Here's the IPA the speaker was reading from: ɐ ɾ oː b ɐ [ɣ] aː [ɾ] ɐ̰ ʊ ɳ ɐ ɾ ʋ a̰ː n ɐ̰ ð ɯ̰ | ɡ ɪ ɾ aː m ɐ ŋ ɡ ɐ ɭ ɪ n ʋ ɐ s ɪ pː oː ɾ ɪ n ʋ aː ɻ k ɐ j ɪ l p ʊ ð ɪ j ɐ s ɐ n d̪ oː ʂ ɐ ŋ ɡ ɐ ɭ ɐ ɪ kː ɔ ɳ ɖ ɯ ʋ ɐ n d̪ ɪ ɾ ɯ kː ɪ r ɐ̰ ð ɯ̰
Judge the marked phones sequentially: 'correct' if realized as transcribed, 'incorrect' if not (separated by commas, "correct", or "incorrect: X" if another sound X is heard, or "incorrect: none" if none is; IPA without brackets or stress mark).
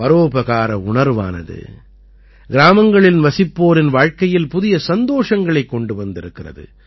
correct, correct